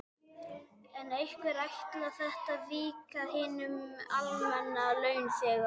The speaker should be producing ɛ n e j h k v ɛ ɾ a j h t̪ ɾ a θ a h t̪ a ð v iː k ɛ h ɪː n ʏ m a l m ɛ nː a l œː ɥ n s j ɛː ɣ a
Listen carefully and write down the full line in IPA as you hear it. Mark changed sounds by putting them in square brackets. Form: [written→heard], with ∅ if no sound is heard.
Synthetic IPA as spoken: ɛ n e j h k v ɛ ɾ a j h t̪ [ɾ→l] a θ [a→ɛ] h t̪ a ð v iː k [ɛ→a] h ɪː n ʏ m a l m ɛ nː a l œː ɥ n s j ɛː ɣ a